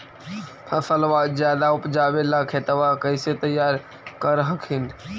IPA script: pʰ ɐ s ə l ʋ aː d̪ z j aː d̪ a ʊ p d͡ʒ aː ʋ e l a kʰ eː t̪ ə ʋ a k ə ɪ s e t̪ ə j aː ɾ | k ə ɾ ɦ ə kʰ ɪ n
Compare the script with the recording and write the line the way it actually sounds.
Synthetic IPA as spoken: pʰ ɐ s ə l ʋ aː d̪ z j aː d̪ a ʊ p d͡ʒ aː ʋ e l a kʰ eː t̪ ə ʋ a k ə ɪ s e t̪ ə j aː ɾ | k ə ɾ ɦ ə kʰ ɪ n